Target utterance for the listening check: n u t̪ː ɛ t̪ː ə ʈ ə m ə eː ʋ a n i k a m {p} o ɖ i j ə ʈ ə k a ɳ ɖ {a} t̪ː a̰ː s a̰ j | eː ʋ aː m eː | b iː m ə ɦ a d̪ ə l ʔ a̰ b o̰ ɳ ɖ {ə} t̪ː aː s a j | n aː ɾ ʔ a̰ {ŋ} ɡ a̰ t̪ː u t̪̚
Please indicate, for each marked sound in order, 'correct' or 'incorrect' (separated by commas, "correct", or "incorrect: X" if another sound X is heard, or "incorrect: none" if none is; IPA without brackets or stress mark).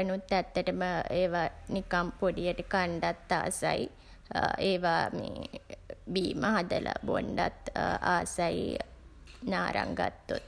correct, correct, incorrect: a, correct